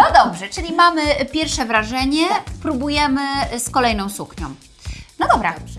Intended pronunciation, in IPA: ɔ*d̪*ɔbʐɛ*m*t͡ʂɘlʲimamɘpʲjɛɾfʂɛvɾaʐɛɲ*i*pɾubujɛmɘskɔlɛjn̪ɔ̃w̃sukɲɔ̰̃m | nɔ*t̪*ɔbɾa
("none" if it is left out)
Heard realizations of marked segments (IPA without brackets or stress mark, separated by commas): d̪, none, ɛ, d̪